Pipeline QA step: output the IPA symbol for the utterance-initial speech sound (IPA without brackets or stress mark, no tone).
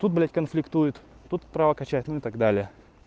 t̪